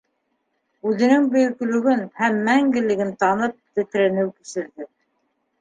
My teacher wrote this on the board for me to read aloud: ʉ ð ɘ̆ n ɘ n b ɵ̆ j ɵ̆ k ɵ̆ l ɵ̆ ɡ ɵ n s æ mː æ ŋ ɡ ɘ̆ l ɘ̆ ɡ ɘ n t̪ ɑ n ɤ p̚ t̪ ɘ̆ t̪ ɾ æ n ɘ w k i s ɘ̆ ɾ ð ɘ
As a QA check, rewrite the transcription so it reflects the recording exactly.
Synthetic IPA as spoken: ʉ ð ɘ̆ n ɘ ŋ b ɵ̆ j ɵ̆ k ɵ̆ l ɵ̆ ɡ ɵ n h æ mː æ ŋ ɡ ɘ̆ l ɘ̆ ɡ ɘ n t̪ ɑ n ɤ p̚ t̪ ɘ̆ t̪ ɾ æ n ɘ w k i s ɘ̆ ɾ ð ɘ